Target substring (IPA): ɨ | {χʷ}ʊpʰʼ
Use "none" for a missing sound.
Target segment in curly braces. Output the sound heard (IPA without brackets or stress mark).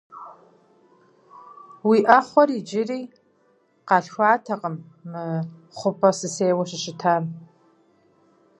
χʷ